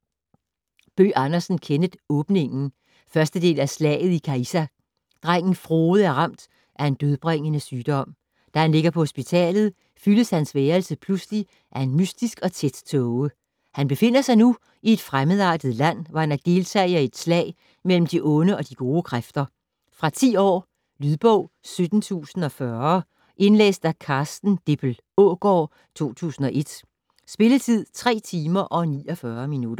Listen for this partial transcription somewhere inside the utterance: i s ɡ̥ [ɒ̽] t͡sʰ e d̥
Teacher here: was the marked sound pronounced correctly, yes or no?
yes